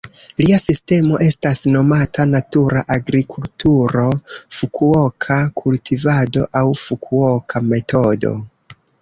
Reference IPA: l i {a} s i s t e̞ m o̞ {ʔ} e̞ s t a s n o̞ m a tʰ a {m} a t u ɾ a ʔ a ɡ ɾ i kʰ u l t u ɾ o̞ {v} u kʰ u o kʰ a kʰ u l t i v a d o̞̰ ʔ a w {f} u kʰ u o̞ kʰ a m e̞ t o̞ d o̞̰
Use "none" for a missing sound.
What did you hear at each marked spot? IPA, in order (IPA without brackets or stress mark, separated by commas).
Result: a, ʔ, n, f, f